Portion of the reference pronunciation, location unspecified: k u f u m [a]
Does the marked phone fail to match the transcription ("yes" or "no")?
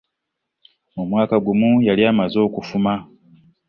no